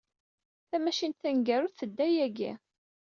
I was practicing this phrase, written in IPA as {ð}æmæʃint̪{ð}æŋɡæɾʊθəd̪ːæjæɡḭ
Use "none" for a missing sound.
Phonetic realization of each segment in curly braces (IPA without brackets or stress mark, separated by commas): θ, θ